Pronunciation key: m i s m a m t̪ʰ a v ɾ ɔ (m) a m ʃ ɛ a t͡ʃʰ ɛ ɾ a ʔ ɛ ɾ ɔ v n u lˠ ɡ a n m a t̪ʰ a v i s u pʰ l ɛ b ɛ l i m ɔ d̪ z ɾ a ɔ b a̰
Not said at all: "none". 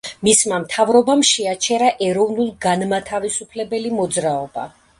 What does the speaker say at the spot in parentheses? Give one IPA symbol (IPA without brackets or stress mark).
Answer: b